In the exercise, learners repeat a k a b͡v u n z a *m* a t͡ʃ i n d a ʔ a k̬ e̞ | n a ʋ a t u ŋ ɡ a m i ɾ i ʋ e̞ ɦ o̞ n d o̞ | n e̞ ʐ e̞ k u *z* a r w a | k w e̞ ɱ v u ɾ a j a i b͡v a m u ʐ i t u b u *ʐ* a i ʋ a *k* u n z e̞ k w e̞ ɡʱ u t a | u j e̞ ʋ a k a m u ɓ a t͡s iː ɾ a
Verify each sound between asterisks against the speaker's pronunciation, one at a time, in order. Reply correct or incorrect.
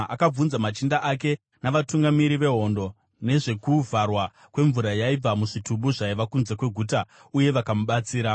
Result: correct, incorrect, correct, correct

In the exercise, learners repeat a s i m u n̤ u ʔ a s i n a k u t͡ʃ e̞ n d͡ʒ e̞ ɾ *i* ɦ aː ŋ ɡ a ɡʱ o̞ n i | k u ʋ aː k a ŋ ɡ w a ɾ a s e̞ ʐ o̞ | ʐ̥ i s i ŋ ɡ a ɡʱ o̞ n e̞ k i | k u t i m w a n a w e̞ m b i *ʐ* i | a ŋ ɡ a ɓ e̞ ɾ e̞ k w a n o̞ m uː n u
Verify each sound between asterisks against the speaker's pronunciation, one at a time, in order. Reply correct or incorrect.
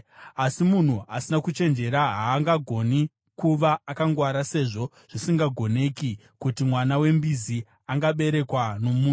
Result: incorrect, incorrect

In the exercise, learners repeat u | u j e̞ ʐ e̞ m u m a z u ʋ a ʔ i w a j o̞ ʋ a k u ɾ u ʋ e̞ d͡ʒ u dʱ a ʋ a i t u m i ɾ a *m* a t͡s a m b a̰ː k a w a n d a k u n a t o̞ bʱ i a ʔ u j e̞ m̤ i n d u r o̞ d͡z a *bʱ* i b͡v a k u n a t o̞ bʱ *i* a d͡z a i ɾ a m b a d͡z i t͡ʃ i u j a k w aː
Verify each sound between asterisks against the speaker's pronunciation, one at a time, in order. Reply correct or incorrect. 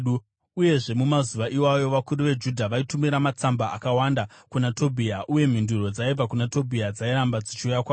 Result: correct, incorrect, correct

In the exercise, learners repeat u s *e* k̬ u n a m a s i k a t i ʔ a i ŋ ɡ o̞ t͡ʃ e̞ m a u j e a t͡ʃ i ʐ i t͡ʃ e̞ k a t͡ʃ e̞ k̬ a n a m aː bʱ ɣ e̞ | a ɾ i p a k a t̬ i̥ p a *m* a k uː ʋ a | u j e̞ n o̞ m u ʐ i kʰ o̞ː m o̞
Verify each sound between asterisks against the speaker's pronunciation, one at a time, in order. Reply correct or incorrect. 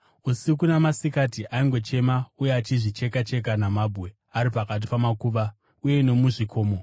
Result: incorrect, correct

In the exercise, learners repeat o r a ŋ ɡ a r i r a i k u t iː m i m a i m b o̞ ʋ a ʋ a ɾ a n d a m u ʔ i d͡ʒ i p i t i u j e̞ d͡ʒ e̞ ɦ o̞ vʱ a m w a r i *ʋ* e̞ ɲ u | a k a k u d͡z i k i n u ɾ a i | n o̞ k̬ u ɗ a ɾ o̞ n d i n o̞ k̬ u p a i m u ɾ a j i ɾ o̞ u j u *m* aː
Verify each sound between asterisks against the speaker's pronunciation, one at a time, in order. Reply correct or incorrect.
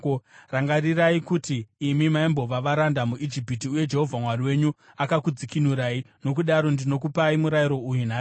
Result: incorrect, incorrect

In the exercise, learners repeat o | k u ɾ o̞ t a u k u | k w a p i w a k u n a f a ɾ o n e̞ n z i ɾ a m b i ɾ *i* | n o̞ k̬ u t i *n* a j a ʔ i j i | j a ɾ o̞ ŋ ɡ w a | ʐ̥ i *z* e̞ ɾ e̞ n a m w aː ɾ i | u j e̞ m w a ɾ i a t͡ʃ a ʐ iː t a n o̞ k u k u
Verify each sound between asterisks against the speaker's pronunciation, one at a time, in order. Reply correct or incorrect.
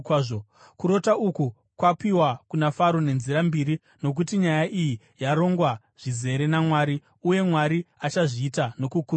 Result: correct, incorrect, correct

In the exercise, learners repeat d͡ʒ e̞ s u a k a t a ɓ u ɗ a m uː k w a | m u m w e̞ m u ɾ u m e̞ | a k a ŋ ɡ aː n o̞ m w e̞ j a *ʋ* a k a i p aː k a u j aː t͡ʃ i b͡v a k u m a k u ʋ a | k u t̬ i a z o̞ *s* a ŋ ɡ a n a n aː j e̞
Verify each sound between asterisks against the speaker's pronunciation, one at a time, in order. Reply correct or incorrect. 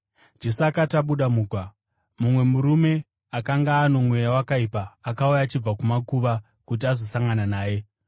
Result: incorrect, correct

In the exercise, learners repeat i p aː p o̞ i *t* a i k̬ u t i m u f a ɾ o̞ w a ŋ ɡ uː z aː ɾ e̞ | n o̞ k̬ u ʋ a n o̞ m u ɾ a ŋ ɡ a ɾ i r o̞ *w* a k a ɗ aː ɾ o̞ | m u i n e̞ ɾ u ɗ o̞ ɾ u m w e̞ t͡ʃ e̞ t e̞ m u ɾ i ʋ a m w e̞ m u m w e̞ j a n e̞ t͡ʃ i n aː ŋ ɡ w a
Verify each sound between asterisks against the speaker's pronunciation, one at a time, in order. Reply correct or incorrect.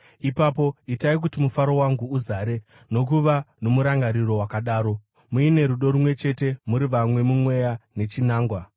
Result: correct, correct

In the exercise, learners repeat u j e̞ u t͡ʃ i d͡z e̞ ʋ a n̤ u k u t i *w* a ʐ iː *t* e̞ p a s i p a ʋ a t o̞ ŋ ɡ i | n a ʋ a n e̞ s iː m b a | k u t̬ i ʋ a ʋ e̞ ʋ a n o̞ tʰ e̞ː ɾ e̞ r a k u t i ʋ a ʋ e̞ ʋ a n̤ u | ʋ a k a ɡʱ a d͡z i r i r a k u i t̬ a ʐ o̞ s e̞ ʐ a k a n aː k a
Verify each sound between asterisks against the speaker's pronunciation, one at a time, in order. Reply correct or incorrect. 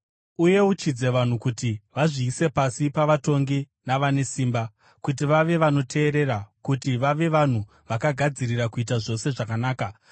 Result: incorrect, incorrect

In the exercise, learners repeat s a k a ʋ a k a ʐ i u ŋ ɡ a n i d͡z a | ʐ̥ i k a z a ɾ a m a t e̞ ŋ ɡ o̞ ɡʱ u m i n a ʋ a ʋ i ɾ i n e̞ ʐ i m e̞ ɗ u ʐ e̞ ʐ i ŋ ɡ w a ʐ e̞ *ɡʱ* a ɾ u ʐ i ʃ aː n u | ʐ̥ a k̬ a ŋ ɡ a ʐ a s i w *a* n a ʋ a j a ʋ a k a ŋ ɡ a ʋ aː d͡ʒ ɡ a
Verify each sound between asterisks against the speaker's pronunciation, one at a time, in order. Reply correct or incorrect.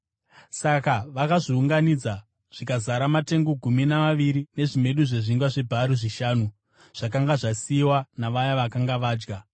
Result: incorrect, correct

